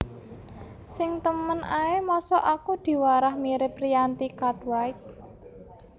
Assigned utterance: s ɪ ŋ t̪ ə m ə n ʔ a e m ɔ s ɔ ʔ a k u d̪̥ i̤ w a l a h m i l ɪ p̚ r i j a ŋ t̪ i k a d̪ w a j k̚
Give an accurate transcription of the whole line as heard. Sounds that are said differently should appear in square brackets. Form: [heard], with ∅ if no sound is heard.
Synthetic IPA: s ɪ ŋ t̪ ə m ə n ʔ a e m ɔ s ɔ ʔ a k u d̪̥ i̤ w a [ɾ] a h m i [ɾ] ɪ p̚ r i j a [n] t̪ i k a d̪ w a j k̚